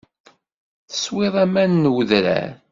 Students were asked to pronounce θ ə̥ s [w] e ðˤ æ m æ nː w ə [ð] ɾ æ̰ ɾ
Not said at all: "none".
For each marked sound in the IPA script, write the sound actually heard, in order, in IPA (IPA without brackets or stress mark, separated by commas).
w, ð